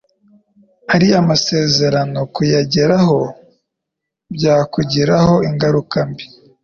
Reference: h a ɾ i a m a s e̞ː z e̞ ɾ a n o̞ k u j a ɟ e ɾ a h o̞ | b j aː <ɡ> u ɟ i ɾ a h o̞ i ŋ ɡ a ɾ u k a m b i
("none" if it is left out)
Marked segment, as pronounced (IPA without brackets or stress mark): k